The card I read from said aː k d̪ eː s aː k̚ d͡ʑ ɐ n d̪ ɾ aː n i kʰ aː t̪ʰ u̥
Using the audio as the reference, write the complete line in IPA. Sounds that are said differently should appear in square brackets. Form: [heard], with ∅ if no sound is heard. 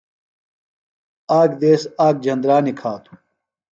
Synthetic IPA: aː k d̪ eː s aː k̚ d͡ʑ ɐ n d̪ ɾ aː n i kʰ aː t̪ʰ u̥